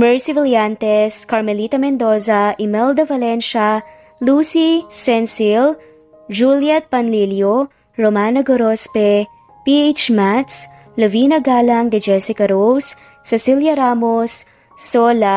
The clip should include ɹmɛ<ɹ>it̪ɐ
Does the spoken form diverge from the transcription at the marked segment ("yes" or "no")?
yes